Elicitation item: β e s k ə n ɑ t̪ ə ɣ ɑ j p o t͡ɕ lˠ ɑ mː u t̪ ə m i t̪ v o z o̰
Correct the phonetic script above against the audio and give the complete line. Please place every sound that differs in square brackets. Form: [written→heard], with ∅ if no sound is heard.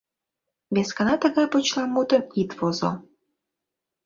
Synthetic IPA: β e s k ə n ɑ t̪ ə ɣ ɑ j p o t͡ɕ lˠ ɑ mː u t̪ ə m i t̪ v o z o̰